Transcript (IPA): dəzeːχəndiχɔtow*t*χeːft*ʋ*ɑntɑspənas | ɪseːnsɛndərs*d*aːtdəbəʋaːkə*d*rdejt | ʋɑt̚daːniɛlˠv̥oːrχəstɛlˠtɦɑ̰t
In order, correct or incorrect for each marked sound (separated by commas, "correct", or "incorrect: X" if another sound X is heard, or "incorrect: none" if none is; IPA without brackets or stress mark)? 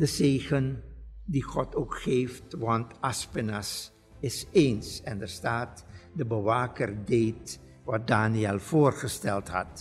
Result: incorrect: k, correct, incorrect: t, incorrect: none